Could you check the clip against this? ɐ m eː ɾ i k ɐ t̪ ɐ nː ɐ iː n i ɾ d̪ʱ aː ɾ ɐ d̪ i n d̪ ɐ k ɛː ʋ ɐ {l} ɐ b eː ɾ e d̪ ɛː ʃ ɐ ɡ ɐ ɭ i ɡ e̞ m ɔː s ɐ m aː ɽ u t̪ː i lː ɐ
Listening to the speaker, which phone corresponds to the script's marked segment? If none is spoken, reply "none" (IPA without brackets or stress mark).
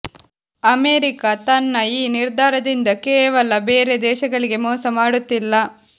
l